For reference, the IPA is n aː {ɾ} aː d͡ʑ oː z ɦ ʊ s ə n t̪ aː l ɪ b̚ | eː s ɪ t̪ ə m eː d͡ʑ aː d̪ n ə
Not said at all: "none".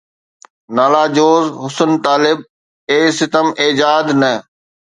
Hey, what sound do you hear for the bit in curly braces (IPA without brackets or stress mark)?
l